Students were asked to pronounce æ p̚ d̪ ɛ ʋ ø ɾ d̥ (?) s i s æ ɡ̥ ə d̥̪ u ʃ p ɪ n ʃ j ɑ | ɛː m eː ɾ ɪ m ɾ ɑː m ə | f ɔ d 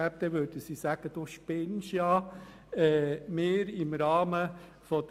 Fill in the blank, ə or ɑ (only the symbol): ə